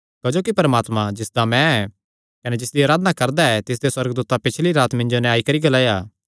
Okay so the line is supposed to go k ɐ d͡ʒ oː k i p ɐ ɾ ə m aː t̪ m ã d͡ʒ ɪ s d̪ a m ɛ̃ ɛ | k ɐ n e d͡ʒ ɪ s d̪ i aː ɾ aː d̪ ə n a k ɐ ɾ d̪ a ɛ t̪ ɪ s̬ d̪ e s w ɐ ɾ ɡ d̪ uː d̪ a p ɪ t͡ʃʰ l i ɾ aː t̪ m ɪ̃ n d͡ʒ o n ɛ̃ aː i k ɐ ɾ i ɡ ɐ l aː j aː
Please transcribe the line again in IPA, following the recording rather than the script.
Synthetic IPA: k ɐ d͡ʒ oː k i p ɐ ɾ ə m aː t̪ m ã d͡ʒ ɪ s d̪ a m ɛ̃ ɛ | k ɐ n e d͡ʒ ɪ s d̪ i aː ɾ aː d̪ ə n a k ɐ ɾ d̪ a ɛ t̪ ɪ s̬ d̪ e s w ɐ ɾ ɡ d̪ uː t̪ a p ɪ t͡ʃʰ l i ɾ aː t̪ m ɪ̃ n d͡ʒ o n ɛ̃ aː i k ɐ ɾ i ɡ ɐ l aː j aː